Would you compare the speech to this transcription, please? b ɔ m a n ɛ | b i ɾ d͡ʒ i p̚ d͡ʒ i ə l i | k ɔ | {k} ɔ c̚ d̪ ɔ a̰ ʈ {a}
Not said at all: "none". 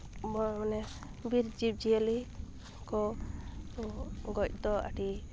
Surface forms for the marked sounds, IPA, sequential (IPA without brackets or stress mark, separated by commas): ɡ, i